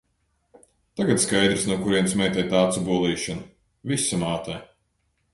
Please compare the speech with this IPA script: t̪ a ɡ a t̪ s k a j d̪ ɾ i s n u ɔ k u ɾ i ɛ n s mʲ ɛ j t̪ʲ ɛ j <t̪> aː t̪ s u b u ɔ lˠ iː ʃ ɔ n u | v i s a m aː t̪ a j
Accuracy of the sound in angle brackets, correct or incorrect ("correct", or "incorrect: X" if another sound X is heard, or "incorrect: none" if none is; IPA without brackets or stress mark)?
correct